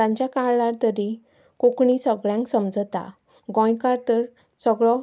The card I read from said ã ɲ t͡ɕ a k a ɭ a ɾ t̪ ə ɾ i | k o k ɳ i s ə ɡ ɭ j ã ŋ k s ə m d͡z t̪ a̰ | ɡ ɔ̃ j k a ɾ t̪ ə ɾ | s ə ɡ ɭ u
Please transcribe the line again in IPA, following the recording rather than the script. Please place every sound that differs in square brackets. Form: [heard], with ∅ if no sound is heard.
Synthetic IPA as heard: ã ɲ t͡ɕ a k a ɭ a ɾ t̪ ə ɾ i | k o k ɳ i s ə ɡ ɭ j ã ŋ k s ə m d͡z t̪ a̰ | ɡ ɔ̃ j k a ɾ t̪ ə ɾ | s ə ɡ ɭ [ɔ]